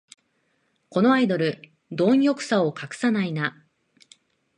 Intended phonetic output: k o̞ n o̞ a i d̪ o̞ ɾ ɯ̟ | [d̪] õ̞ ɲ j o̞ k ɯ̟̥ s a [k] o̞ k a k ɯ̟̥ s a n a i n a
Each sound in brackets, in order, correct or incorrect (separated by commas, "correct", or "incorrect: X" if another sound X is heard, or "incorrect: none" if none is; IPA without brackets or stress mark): correct, incorrect: none